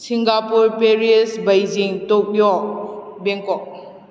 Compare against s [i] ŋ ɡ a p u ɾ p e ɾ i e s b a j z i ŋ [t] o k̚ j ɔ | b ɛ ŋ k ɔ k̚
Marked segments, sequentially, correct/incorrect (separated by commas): correct, correct